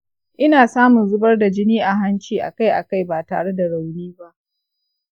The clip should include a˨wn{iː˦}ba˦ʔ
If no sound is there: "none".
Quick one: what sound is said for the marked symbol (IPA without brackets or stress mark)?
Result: iː˦